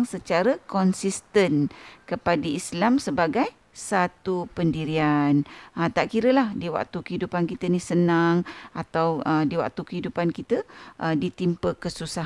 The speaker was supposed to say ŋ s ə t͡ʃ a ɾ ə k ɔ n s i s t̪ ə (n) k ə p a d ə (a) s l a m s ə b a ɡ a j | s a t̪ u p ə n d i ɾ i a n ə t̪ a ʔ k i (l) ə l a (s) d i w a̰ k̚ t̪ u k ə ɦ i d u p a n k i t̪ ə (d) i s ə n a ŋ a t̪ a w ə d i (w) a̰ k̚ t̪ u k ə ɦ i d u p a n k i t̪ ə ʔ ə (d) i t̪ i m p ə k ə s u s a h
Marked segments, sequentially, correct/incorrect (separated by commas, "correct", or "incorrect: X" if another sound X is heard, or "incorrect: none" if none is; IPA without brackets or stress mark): correct, incorrect: i, incorrect: ɾ, incorrect: h, incorrect: n, correct, correct